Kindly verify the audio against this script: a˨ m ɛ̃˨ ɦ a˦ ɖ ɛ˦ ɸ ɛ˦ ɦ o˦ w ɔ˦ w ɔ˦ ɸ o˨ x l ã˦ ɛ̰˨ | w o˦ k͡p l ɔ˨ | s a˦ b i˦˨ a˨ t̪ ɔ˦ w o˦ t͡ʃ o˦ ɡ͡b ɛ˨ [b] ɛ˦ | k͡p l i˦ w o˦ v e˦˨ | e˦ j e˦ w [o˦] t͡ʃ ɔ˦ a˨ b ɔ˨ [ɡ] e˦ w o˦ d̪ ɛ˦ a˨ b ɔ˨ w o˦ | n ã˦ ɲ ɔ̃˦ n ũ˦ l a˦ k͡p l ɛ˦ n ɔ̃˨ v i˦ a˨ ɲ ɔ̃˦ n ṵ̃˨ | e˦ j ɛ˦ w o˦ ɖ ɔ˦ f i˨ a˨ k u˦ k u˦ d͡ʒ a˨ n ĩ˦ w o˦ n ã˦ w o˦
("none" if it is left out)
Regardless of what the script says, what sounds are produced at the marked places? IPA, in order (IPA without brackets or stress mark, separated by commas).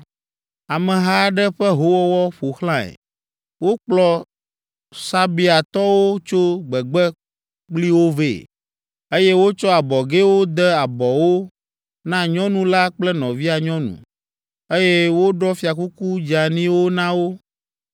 ɡ͡b, o˦, ɡ